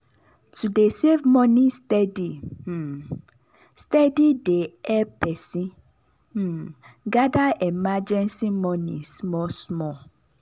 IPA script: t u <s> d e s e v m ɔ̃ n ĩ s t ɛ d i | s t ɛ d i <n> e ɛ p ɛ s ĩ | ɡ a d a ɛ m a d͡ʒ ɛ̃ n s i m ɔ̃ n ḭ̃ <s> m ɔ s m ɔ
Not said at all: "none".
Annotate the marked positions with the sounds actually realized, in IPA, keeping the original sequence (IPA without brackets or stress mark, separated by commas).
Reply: none, d, s